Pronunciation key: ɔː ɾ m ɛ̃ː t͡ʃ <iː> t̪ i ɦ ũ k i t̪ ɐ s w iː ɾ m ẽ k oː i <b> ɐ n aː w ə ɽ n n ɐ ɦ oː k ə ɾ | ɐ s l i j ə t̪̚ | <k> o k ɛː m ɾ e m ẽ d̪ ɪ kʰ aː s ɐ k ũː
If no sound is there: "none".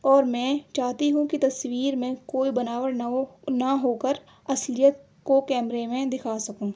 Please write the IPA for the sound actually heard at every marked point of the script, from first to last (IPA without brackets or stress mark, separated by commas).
aː, b, k